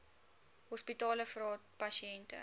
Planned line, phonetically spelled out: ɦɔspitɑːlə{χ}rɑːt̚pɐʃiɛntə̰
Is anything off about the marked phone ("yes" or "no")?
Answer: yes